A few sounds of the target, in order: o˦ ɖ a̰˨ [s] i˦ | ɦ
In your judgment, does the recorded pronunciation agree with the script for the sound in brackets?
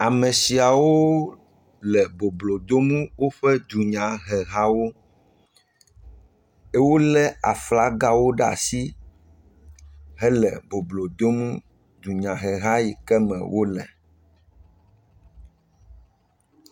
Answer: yes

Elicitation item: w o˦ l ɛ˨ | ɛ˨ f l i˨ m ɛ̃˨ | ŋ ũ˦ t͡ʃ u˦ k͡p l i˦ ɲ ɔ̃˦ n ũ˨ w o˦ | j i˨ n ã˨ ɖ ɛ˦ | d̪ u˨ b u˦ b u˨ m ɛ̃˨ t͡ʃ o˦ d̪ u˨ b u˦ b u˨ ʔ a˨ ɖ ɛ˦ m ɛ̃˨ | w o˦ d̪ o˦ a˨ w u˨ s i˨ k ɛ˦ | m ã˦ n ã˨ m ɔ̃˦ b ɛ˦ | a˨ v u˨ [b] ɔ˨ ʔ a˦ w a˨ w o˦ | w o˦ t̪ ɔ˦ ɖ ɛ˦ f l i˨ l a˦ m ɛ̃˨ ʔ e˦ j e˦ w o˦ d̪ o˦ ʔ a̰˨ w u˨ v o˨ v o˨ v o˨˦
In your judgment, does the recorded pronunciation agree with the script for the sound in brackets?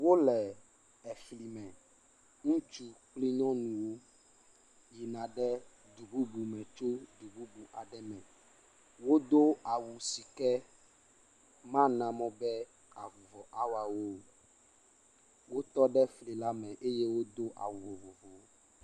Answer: no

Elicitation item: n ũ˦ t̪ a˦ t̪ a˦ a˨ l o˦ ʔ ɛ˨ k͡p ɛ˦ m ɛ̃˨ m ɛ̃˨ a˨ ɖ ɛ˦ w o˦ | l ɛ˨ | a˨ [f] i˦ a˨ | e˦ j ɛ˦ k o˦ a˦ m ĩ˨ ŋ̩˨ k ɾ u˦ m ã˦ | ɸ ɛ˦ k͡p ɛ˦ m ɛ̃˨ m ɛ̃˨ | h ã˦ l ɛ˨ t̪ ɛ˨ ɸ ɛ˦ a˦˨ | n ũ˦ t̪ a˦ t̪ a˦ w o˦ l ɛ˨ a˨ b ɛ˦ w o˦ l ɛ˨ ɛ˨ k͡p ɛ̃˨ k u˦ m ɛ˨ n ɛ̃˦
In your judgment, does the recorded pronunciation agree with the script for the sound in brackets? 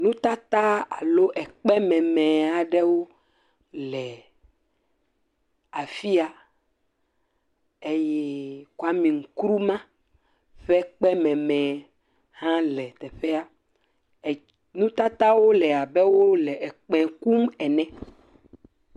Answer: yes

